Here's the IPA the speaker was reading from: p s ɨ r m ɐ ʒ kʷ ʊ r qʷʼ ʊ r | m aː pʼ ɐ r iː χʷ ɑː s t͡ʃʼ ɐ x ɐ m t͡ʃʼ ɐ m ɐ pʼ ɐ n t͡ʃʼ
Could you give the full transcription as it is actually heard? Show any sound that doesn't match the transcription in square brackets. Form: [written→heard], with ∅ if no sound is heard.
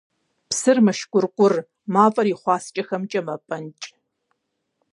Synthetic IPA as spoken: p s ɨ r m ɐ [ʒ→ʃ] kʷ ʊ r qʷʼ ʊ r | m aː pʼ ɐ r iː χʷ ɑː s t͡ʃʼ ɐ x ɐ m t͡ʃʼ ɐ m ɐ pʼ ɐ n t͡ʃʼ